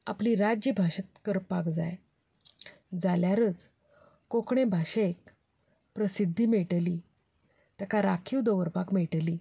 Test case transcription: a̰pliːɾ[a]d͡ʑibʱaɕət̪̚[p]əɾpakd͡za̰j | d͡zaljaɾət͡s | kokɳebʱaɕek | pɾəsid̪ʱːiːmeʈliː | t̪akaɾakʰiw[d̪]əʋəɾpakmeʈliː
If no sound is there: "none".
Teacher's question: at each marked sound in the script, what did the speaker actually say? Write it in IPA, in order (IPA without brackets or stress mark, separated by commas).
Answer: a, k, d̪